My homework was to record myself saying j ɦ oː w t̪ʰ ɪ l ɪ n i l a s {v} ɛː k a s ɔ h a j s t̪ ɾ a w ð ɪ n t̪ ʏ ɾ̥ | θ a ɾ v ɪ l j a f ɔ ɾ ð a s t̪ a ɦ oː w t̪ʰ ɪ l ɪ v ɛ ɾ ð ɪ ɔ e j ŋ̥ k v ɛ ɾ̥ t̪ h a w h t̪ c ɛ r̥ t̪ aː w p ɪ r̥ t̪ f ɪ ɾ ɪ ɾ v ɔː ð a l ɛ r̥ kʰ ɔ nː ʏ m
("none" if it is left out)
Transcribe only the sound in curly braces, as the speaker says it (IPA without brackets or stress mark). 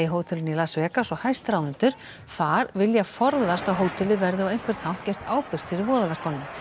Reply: v